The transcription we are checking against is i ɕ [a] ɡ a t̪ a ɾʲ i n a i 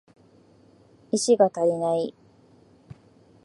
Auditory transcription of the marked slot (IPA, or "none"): i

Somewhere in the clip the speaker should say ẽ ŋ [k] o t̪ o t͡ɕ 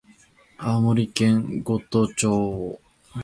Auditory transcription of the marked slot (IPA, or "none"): ɡ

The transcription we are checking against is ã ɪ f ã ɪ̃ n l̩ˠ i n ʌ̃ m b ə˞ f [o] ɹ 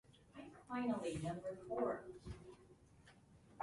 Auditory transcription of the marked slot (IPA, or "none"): ɔ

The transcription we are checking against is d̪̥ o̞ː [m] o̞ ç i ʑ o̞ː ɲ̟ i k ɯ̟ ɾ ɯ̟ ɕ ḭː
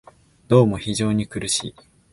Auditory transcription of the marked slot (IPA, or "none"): m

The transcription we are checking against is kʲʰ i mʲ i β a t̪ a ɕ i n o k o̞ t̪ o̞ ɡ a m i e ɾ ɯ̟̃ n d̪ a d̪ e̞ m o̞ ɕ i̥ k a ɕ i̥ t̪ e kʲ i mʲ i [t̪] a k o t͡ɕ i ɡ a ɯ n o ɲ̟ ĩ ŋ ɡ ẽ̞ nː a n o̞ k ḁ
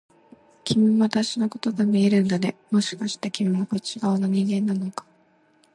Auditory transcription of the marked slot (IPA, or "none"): none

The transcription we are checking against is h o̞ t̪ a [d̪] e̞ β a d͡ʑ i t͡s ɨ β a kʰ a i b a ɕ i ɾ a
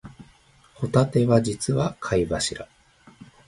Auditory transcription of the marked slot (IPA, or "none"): t̪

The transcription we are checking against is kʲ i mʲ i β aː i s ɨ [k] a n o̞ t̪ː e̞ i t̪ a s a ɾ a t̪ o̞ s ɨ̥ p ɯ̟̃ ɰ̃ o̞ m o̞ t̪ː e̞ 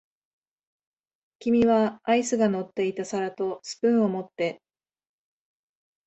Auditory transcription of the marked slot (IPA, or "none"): ɡ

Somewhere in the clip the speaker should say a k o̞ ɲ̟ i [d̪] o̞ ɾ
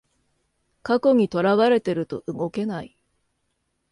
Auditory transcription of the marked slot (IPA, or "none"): t̪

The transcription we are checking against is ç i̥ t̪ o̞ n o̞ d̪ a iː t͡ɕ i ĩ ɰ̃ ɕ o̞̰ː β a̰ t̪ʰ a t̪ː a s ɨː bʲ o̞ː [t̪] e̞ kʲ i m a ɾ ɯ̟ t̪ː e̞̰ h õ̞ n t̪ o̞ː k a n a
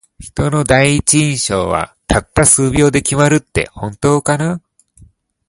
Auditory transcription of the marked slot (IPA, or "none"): d̪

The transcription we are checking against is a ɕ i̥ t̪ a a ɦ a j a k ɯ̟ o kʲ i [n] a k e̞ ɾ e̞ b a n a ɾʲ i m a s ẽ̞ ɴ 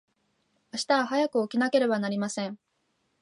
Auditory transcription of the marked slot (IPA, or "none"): n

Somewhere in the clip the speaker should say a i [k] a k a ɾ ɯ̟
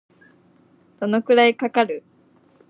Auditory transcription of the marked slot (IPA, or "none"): k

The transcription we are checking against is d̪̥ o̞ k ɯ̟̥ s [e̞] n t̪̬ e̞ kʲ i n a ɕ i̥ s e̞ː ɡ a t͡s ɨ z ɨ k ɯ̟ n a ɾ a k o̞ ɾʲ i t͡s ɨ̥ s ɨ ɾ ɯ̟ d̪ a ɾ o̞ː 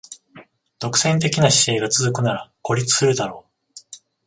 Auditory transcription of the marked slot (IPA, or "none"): ẽ̞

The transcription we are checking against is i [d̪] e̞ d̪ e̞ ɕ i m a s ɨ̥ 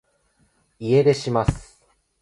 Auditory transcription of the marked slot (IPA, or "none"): none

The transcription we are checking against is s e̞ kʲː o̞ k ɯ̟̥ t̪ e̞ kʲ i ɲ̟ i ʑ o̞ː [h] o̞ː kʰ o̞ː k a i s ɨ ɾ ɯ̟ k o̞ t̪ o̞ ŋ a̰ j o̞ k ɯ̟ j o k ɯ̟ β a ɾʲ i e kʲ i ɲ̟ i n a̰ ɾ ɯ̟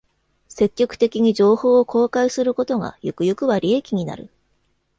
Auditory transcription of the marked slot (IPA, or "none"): h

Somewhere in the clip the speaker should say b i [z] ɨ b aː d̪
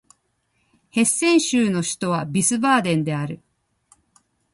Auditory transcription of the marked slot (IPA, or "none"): s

